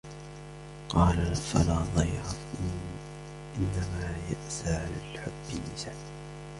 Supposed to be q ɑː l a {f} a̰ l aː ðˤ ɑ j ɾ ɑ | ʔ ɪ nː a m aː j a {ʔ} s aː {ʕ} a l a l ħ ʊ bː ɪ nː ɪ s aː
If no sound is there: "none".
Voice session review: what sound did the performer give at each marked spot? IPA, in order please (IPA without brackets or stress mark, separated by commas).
f, ʔ, ʕ